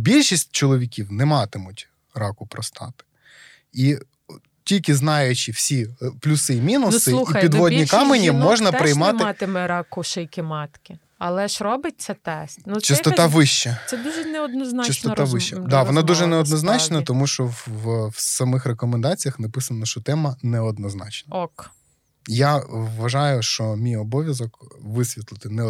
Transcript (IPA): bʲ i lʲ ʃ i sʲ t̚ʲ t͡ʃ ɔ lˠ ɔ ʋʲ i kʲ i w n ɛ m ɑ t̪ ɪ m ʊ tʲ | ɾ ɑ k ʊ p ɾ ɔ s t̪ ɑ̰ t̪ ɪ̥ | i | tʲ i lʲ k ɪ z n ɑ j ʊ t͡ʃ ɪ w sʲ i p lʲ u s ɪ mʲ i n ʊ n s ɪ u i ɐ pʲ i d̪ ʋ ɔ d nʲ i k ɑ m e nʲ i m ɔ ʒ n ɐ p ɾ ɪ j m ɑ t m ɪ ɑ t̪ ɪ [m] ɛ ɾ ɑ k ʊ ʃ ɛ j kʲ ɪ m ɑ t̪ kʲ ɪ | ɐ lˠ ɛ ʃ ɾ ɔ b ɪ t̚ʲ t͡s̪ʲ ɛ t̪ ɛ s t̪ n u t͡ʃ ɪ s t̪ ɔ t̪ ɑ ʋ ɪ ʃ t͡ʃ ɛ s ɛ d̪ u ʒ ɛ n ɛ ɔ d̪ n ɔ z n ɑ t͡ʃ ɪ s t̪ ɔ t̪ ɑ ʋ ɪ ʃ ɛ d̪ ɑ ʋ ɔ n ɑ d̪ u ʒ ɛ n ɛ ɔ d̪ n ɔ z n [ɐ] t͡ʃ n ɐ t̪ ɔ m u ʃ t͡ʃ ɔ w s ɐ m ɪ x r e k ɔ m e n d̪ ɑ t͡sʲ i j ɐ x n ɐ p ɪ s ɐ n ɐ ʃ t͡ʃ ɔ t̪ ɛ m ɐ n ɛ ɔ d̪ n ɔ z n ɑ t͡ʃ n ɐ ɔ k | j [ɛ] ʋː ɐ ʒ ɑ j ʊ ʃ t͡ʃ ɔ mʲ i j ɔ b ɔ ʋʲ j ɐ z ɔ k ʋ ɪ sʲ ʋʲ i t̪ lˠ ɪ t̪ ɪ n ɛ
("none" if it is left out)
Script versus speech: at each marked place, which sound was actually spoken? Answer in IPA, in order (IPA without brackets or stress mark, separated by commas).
m, ɑ, a